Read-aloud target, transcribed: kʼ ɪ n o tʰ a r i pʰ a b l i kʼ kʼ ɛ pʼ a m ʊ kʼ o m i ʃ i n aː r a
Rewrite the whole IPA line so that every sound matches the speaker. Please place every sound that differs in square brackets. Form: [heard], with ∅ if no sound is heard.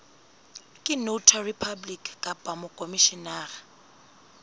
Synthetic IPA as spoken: kʼ ɪ n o tʰ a r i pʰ a b l i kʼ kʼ [a] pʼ a m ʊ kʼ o m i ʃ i n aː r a